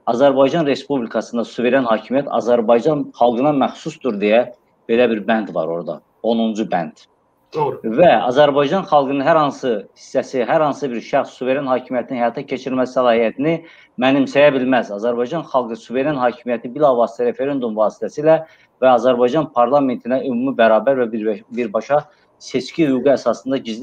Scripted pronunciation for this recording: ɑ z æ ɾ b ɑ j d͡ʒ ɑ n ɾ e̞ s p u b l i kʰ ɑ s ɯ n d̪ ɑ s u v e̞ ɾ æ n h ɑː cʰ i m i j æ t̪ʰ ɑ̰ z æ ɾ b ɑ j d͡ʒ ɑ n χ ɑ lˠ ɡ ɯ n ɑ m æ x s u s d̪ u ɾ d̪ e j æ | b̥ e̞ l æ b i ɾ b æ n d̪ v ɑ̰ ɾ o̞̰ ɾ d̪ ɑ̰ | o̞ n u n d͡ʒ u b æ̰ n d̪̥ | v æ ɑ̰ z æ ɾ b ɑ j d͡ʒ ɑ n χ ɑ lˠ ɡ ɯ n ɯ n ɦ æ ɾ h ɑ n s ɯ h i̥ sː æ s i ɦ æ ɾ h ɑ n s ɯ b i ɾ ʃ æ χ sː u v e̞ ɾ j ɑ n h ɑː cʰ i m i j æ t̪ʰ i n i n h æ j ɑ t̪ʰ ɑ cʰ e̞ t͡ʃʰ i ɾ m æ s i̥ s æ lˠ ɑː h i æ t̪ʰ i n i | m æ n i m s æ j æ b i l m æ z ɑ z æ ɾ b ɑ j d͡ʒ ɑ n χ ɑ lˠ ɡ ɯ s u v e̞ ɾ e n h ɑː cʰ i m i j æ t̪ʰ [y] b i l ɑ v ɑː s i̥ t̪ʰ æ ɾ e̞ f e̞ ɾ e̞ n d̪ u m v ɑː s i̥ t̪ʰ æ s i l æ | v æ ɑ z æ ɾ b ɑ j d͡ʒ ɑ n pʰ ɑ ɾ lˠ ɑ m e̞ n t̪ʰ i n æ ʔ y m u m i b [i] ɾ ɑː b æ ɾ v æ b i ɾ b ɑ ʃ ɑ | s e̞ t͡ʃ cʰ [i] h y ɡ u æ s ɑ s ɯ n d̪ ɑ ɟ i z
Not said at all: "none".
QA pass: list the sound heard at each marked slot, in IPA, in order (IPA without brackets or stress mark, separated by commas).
i, æ, i